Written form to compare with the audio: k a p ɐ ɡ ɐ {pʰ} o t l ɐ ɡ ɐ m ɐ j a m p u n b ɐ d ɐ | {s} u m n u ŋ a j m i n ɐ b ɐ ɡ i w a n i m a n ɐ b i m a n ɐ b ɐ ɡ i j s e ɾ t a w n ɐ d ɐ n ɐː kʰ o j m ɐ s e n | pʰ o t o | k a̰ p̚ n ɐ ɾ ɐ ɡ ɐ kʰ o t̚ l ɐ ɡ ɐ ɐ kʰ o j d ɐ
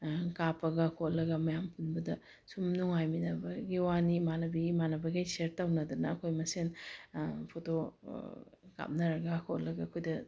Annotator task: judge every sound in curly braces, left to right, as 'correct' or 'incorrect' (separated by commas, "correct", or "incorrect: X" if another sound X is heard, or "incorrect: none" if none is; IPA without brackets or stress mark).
incorrect: kʰ, correct